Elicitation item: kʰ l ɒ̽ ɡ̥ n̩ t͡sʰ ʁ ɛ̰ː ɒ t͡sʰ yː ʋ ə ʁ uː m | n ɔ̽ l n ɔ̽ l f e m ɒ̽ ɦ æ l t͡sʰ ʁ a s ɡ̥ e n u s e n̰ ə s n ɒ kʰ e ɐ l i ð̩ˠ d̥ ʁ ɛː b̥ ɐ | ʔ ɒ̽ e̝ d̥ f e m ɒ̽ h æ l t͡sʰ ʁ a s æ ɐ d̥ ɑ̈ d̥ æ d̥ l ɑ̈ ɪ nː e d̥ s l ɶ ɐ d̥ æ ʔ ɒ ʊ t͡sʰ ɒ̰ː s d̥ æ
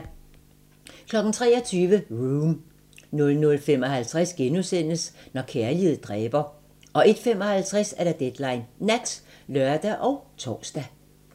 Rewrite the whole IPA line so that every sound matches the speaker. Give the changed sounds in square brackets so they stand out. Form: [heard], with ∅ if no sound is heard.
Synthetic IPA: kʰ l ɒ̽ ɡ̥ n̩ t͡sʰ ʁ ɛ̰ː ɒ t͡sʰ yː ʋ ə ʁ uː m | n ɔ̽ l n ɔ̽ l f e m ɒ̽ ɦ æ l t͡sʰ ʁ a s ɡ̥ e n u s e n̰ ə s n ɒ kʰ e ɐ l i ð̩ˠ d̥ ʁ ɛː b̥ ɐ | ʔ ɒ̽ e̝ d̥ f e m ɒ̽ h æ l t͡sʰ ʁ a s æ ɐ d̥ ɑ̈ d̥ [e] d̥ l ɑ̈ ɪ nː [æ] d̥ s l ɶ ɐ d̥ æ ʔ ɒ ʊ t͡sʰ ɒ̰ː s d̥ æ